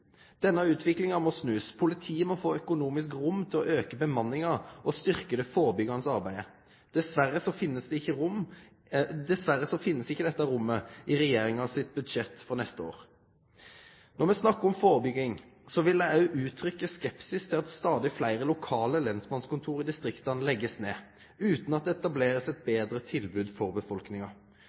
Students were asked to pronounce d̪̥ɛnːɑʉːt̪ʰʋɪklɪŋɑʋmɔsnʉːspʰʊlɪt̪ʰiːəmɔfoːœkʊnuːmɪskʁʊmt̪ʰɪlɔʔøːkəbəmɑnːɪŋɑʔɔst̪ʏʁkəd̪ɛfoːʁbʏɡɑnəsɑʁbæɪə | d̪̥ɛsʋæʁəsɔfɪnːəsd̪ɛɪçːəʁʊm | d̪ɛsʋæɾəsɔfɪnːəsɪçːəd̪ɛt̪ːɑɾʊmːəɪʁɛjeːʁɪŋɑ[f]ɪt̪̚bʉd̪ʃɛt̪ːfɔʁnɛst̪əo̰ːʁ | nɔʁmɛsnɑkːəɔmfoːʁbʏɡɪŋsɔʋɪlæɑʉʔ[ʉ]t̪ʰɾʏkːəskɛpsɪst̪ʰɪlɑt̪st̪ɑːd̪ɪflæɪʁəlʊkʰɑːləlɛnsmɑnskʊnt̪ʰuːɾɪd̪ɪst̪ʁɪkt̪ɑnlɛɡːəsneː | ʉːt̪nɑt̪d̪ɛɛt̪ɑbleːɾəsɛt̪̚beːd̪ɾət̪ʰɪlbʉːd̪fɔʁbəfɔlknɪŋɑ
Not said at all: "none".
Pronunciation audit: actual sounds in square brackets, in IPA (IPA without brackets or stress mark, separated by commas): s, ʉː